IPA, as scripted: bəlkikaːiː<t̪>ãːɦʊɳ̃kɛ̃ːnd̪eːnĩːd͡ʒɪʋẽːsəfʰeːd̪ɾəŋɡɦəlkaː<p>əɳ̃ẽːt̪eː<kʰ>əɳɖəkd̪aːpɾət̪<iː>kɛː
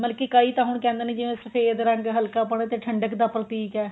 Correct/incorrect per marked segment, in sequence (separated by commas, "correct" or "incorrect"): correct, correct, incorrect, correct